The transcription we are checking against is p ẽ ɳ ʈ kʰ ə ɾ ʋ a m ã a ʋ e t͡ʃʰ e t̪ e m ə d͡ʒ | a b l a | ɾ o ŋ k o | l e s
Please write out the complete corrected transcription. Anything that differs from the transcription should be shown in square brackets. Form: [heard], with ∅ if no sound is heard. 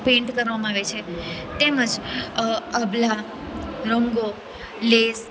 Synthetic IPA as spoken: p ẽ ɳ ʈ [k] ə ɾ ʋ a m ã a ʋ e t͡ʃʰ e t̪ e m ə d͡ʒ | [ə] b l a | ɾ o ŋ [ɡ] o | l e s